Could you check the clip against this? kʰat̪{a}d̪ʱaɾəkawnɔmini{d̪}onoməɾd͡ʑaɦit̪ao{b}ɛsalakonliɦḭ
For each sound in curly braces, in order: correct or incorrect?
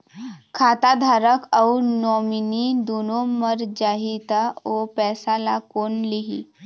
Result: correct, correct, incorrect: p

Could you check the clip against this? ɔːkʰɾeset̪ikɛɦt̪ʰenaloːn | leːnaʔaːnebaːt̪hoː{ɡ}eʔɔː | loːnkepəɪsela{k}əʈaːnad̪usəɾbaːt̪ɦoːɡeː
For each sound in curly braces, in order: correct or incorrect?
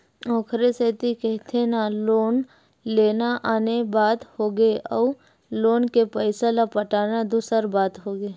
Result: correct, incorrect: p

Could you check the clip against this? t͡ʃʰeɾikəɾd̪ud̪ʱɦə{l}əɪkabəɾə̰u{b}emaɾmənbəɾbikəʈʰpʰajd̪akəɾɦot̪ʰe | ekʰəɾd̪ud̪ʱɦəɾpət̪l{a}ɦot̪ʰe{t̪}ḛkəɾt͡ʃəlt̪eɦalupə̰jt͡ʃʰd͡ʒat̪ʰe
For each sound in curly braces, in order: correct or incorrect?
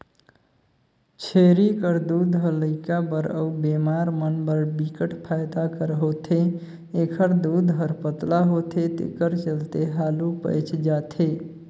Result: correct, correct, correct, correct

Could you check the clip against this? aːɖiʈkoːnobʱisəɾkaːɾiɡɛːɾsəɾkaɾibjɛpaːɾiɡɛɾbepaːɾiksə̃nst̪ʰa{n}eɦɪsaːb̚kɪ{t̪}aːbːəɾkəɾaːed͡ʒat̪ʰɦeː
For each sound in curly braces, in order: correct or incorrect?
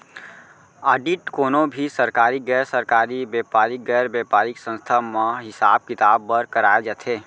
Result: incorrect: m, correct

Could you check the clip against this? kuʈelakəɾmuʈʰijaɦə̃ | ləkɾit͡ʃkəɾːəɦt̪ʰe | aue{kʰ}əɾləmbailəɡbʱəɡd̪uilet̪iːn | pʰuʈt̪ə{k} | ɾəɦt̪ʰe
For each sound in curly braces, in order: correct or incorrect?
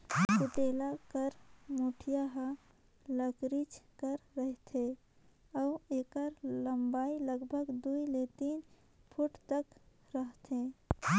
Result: incorrect: k, correct

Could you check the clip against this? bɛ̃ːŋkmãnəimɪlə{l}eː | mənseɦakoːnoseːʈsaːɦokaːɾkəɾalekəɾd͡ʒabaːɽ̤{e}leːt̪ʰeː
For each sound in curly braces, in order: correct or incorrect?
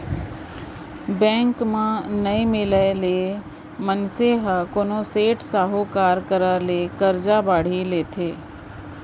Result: correct, incorrect: i

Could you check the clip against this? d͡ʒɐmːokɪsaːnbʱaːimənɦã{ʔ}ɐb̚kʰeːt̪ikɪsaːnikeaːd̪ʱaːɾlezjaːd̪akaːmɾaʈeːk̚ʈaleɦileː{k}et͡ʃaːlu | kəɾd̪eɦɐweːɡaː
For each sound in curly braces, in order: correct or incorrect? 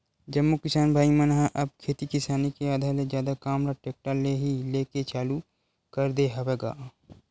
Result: correct, correct

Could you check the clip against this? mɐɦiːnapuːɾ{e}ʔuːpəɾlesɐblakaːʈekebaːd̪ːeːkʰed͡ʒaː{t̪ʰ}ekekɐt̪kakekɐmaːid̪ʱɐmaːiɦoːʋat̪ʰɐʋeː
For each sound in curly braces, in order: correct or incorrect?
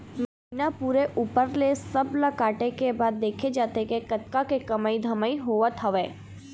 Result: correct, incorrect: t̪

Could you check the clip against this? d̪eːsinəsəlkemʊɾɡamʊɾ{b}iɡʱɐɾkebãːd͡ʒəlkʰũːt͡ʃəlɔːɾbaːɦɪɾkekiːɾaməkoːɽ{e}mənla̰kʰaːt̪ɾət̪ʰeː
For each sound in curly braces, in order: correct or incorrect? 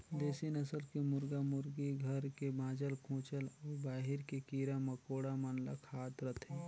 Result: incorrect: ɡ, incorrect: a

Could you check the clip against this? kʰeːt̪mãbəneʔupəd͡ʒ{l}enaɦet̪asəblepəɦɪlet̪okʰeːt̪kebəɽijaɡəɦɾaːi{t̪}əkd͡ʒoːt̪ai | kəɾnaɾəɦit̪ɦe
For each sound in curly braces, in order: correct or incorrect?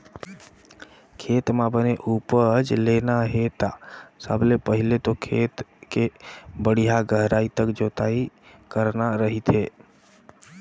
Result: correct, correct

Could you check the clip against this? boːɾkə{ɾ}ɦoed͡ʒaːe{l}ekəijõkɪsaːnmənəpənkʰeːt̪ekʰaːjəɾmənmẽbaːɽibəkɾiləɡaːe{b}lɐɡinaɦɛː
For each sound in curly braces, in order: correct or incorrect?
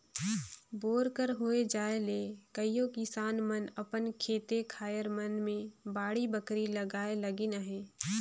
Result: correct, correct, incorrect: none

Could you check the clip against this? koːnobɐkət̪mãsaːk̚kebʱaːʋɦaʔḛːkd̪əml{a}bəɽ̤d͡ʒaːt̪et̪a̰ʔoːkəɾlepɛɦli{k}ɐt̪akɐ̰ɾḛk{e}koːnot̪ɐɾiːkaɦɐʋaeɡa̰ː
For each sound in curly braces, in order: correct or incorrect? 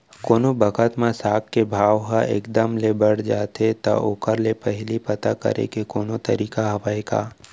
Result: incorrect: e, incorrect: p, correct

